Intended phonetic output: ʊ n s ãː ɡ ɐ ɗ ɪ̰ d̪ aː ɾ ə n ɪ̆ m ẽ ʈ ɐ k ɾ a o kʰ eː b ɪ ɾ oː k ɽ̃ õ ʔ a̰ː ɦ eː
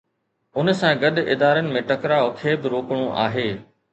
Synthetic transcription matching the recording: ʊ n s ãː ɡ ɐ ɗ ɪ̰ d̪ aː ɾ ə n ɪ̆ m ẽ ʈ ɐ k ɾ a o kʰ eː b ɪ ɾ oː k ɽ̃ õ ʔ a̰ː ɦ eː